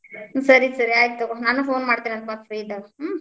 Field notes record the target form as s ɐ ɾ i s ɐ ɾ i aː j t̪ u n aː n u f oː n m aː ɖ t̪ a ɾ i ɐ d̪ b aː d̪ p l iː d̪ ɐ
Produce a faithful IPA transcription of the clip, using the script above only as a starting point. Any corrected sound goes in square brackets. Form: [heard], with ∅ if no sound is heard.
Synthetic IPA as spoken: s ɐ ɾ i s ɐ ɾ i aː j t̪ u n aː n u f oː n m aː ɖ t̪ [i] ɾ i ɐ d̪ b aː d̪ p [ɾ] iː d̪ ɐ

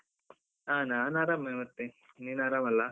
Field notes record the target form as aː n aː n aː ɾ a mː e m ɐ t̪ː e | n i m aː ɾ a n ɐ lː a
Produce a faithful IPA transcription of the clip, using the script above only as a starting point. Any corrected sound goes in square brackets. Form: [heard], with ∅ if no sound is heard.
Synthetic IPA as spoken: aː n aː n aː ɾ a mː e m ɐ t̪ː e | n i [n] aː ɾ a [m] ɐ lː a

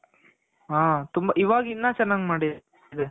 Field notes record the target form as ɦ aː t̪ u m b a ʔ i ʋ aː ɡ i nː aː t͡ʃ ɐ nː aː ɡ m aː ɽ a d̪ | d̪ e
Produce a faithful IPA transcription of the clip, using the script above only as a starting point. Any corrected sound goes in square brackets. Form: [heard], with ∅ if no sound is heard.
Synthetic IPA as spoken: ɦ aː t̪ u m b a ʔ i ʋ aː ɡ i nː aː t͡ʃ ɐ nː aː ɡ m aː ɽ [i] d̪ | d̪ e

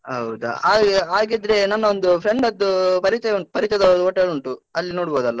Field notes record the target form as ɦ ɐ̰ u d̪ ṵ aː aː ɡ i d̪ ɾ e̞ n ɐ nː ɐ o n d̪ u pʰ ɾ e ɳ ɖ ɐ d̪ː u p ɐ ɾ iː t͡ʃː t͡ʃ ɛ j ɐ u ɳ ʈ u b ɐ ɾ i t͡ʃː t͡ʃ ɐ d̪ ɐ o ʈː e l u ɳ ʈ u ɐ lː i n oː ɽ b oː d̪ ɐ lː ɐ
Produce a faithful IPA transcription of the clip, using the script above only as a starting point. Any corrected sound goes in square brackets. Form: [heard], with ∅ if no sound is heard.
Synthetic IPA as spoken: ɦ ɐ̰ [w] d̪ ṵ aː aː ɡ i d̪ ɾ e̞ n ɐ nː ɐ o n d̪ u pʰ ɾ e ɳ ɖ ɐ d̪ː u p ɐ ɾ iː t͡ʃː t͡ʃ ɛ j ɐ u ɳ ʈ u [p] ɐ ɾ i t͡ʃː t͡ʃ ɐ d̪ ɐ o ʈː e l u ɳ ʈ u ɐ lː i n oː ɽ b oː d̪ ɐ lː ɐ

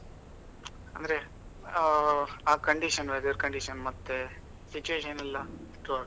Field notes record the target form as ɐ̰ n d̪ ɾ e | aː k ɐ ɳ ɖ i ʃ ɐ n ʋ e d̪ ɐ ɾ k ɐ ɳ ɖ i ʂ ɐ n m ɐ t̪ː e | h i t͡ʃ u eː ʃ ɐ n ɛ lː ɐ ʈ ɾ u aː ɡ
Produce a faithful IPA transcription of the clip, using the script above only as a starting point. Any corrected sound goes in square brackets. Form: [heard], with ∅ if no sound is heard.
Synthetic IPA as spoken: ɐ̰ n d̪ ɾ e | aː k ɐ ɳ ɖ i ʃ ɐ n ʋ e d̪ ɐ ɾ k ɐ ɳ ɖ i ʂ ɐ n m ɐ t̪ː e | [s] i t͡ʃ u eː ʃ ɐ n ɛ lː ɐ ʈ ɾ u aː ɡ

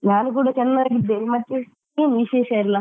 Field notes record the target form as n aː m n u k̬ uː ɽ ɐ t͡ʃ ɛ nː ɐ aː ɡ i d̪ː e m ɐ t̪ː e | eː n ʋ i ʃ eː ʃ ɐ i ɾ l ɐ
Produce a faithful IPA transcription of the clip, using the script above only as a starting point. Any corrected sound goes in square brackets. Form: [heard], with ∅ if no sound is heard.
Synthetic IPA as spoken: n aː [∅] n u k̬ uː ɽ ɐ t͡ʃ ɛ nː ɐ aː ɡ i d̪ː e m ɐ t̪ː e | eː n ʋ i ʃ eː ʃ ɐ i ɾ l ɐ

